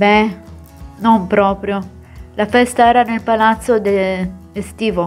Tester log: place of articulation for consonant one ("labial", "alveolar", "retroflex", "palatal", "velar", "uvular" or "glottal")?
labial